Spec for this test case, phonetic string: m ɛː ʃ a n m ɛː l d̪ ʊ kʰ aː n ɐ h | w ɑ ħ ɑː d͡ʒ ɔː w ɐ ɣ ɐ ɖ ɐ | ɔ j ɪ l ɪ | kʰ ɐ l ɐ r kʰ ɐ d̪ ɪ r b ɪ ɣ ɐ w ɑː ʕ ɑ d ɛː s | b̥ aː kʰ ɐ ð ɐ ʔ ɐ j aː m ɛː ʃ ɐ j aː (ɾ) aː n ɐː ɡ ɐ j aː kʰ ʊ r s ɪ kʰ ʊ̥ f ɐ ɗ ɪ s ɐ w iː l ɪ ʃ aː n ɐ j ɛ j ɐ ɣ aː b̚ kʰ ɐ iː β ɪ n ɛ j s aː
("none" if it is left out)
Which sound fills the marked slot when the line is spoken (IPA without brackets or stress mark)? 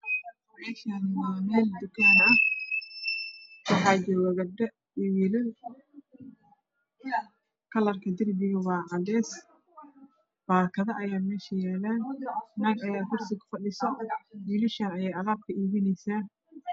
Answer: l